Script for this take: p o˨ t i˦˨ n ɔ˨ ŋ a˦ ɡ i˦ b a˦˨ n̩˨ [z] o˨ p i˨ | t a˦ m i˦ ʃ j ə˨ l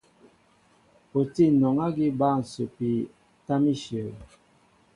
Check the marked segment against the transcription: incorrect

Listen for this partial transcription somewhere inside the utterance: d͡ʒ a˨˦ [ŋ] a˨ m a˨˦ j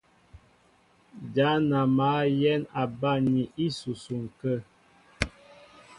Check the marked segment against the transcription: incorrect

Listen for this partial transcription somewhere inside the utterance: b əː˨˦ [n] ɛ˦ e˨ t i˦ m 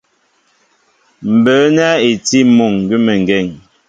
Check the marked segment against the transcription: correct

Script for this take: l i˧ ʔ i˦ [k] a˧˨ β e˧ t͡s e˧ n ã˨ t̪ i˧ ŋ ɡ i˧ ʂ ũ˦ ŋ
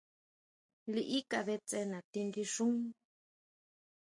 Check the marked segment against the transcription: correct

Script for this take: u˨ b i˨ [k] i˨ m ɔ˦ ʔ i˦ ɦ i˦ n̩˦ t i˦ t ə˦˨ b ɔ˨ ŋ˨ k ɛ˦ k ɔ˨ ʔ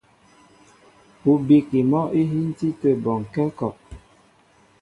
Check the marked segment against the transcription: correct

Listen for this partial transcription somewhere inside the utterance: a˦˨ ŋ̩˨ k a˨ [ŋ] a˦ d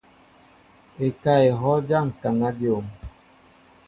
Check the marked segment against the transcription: correct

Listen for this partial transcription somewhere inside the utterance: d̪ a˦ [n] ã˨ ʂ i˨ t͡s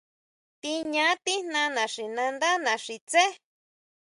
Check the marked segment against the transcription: correct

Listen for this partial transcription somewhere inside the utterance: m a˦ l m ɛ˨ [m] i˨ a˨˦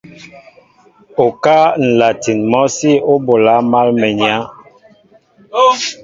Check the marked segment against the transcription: incorrect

